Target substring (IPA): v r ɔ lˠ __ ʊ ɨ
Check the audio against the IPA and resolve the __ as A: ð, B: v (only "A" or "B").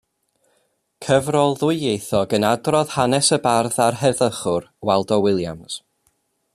A